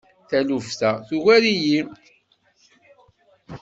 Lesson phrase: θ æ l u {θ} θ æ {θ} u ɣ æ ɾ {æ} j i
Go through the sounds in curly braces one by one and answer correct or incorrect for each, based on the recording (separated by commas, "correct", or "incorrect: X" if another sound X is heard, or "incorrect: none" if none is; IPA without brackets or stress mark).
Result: incorrect: f, correct, incorrect: i